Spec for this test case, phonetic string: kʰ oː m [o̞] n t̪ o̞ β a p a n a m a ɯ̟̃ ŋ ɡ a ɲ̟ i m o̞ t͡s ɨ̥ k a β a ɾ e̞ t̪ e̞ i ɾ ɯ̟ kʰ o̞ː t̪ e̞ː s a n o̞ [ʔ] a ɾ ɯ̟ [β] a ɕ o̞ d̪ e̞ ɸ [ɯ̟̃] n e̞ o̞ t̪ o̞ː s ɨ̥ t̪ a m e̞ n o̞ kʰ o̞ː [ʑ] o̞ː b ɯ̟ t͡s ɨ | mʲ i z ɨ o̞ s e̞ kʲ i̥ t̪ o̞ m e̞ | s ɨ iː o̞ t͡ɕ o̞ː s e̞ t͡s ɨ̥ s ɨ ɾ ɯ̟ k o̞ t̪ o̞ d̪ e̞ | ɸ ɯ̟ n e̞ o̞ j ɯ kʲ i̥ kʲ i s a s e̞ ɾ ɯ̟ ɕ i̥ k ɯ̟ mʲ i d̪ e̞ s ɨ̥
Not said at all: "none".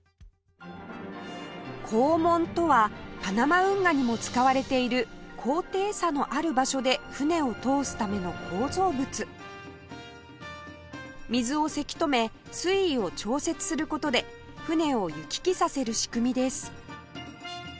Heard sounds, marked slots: õ̞, ʔ, b, ɯ̟, z

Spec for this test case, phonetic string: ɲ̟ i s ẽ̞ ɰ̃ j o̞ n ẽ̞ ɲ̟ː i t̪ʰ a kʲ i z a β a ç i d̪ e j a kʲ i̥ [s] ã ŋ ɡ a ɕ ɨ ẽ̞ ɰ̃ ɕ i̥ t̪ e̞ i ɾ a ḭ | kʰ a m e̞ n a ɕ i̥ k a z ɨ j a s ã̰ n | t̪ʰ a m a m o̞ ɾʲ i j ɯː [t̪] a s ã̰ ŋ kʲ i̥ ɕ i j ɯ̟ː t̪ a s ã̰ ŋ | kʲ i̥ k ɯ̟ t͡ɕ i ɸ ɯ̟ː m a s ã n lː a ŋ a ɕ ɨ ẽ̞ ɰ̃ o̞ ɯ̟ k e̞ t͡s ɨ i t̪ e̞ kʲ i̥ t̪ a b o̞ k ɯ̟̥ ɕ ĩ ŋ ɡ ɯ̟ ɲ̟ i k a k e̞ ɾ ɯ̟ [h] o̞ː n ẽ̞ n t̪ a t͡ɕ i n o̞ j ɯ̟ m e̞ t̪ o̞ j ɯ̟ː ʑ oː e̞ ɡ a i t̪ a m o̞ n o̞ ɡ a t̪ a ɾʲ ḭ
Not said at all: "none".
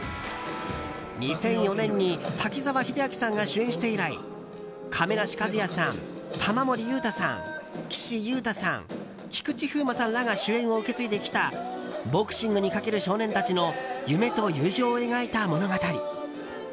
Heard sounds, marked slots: s, t̪, ɕ

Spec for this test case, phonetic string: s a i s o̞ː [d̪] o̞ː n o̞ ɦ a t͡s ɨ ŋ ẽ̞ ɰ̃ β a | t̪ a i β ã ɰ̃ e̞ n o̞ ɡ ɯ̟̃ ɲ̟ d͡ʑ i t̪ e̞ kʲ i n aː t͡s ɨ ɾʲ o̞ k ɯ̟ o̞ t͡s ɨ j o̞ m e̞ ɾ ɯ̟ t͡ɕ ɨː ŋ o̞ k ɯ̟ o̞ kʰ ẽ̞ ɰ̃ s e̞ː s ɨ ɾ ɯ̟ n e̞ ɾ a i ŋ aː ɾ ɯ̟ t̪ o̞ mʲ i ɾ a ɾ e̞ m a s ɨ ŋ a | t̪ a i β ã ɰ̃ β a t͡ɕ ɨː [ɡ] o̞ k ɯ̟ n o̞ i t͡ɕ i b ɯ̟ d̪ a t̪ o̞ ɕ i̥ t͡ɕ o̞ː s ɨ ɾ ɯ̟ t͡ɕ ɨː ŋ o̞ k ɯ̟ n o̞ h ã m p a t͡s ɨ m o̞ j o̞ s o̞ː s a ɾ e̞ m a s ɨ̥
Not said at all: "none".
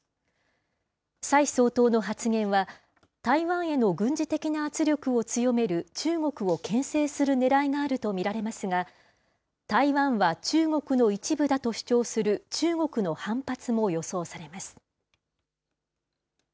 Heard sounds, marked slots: t̪, ŋ

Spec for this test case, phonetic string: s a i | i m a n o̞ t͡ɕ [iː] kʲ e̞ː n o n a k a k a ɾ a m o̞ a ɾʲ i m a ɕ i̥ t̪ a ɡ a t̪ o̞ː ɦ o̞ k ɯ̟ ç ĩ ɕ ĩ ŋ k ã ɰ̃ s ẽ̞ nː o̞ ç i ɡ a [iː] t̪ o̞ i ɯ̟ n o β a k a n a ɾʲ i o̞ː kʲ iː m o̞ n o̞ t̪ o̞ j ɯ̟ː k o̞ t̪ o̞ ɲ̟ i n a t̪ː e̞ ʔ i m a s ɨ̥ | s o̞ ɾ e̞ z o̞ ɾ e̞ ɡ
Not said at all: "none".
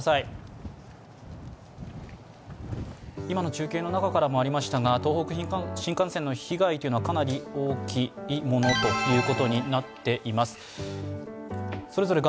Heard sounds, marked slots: ɨː, i

